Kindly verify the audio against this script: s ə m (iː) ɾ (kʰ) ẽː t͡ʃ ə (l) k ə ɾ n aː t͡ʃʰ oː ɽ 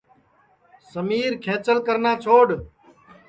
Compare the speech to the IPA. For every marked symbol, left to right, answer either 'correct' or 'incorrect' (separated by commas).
correct, correct, correct